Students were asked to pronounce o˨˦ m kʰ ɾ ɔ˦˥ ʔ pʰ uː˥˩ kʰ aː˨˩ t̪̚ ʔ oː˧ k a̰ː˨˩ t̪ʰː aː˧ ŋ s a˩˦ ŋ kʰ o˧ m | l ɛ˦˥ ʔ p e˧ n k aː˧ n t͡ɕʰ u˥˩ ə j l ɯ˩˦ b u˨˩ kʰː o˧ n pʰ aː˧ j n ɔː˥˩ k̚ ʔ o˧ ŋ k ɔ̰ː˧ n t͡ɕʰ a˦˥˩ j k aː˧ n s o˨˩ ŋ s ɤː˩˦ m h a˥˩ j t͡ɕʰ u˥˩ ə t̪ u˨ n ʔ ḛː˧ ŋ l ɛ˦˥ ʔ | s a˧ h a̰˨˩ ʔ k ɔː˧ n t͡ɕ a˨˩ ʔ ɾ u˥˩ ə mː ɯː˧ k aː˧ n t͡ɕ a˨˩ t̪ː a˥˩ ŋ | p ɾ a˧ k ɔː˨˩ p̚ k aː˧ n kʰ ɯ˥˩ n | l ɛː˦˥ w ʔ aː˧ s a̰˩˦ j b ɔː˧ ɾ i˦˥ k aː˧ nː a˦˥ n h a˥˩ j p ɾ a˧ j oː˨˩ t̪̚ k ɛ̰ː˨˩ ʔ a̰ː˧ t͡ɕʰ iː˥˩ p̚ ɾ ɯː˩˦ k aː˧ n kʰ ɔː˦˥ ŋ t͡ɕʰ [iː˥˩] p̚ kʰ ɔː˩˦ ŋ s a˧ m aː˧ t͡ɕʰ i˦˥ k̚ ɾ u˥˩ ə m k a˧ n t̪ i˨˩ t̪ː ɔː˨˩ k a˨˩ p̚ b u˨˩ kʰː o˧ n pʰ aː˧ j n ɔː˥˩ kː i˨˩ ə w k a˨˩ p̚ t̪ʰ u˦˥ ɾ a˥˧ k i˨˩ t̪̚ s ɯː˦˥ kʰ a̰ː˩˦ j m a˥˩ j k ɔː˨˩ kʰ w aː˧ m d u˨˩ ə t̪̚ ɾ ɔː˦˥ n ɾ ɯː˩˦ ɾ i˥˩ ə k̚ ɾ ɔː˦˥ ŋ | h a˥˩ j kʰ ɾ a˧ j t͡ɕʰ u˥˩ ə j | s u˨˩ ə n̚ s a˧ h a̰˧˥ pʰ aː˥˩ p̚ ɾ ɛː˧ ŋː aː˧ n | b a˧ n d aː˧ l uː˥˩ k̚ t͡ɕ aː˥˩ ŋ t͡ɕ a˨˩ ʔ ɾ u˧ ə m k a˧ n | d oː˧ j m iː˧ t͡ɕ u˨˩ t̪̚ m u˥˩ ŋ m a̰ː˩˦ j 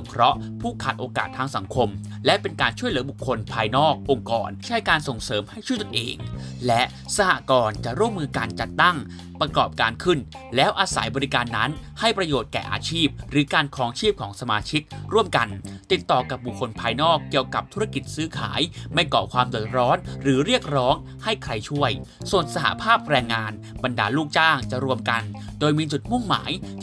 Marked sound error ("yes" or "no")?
no